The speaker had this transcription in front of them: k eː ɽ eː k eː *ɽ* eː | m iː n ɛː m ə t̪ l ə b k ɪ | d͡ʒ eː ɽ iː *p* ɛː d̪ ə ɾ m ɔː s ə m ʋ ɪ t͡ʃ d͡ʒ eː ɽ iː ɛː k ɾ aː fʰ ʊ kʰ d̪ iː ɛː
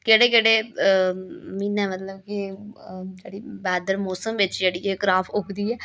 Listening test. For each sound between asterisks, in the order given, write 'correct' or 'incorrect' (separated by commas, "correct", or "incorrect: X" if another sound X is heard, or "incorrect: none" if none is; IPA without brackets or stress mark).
correct, incorrect: b